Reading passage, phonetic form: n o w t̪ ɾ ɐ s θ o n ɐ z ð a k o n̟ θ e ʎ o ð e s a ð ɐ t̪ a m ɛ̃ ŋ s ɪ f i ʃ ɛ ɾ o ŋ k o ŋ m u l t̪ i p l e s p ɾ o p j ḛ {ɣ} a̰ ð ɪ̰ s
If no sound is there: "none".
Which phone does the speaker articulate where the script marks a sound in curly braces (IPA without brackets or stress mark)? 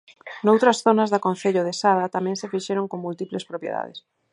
ð